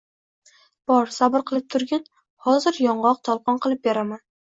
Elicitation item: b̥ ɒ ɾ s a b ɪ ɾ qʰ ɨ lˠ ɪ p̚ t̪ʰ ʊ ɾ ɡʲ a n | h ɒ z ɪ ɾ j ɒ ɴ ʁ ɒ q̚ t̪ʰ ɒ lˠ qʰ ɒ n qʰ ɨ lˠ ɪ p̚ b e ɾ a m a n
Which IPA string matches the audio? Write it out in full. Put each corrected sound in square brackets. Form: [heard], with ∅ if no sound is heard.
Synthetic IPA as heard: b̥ ɒ ɾ s a b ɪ ɾ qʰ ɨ lˠ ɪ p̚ t̪ʰ ʊ ɾ ɡʲ a n | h ɒ z ɪ ɾ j ɒ ɴ ʁ ɒ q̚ t̪ʰ ɒ lˠ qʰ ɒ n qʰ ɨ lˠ ɪ p̚ b e ɾ a m a n